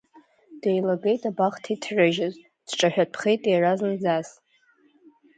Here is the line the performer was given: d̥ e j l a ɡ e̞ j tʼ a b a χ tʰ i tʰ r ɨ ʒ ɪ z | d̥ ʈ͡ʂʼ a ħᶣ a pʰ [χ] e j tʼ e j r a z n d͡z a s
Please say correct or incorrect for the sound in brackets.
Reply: correct